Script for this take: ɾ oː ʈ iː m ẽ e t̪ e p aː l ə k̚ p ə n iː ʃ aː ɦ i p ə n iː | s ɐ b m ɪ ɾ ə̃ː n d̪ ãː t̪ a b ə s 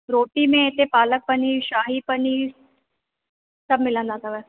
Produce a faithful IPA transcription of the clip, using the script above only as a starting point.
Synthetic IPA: ɾ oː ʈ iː m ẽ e t̪ e p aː l ə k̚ p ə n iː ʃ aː ɦ i p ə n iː | s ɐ b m ɪ l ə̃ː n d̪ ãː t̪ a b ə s

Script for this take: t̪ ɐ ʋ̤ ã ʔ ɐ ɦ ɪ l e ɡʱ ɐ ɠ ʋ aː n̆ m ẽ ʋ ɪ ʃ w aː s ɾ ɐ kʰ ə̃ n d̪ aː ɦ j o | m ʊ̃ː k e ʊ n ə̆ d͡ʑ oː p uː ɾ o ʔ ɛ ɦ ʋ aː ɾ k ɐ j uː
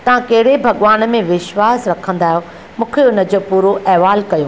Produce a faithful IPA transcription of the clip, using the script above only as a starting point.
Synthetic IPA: t̪ ɐ ʋ̤ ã k ɐ ɦ ɪ ɽ e bʱ ɐ ɠ ʋ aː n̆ m ẽ ʋ ɪ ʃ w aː s ɾ ɐ kʰ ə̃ n d̪ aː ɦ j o | m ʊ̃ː kʰ e ʊ n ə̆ d͡ʑ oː p uː ɾ o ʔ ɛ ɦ ʋ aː l k ɐ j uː

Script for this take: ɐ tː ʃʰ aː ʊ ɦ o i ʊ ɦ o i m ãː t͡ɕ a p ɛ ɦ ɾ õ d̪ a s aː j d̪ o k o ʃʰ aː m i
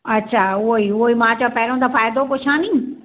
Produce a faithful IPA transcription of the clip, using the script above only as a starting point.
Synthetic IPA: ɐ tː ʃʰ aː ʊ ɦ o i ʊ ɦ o i m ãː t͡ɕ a p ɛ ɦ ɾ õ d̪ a f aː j d̪ o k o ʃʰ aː n i

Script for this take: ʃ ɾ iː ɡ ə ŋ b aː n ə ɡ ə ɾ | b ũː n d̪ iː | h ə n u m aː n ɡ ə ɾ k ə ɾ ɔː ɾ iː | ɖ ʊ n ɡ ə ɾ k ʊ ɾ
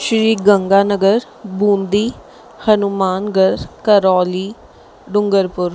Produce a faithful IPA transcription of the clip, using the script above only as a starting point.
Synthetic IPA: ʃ ɾ iː ɡ ə ŋ ɡ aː n ə ɡ ə ɾ | b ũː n d̪ iː | h ə n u m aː n ɡ ə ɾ k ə ɾ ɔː l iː | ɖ ʊ ŋ ɡ ə ɾ p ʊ ɾ

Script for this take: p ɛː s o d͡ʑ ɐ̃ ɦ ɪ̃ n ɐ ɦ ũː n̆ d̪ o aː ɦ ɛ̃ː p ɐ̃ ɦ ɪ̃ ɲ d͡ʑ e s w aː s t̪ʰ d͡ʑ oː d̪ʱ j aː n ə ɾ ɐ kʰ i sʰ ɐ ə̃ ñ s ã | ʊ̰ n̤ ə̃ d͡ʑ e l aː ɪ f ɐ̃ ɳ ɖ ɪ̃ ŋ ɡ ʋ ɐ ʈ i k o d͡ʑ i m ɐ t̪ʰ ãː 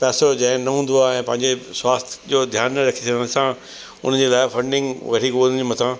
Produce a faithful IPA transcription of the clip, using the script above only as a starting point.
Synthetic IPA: p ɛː s o d͡ʑ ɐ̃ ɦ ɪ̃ n ɐ ɦ ũː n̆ d̪ o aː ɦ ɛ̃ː p ɐ̃ ɦ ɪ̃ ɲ d͡ʑ e s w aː s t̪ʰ d͡ʑ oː d̪ʱ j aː n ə ɾ ɐ kʰ i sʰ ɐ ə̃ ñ s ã | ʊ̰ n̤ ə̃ d͡ʑ e l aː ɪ f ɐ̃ ɳ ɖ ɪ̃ ŋ ɡ ʋ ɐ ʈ i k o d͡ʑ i m ɐ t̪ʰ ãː

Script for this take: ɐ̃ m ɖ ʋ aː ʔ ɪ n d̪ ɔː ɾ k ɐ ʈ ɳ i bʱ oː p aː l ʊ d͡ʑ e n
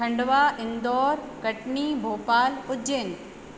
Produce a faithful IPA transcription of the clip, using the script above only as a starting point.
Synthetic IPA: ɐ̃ ɳ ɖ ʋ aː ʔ ɪ n d̪ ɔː ɾ k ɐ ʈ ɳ i bʱ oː p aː l ʊ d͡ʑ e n

